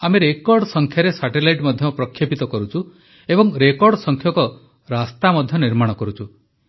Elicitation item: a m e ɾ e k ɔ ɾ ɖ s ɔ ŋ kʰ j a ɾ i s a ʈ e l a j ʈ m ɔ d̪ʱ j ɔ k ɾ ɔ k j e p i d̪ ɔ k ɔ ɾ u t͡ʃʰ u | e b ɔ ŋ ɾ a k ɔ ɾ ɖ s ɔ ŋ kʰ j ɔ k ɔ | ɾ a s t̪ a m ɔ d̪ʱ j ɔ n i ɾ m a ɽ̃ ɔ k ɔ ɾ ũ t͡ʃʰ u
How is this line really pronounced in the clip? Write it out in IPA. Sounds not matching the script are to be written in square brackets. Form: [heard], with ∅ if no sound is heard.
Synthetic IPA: a m e ɾ e k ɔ ɾ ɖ s ɔ ŋ kʰ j a ɾ [e] s a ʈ e l a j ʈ m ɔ d̪ʱ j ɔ [p] ɾ ɔ [kʰ] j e p i [t̪] ɔ k ɔ ɾ u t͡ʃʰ u | e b ɔ ŋ ɾ [e] k ɔ ɾ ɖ s ɔ ŋ kʰ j ɔ k ɔ | ɾ a s t̪ a m ɔ d̪ʱ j ɔ n i ɾ m a ɽ̃ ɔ k ɔ ɾ [u] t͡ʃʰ u